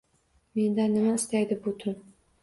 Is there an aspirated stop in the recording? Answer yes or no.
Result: yes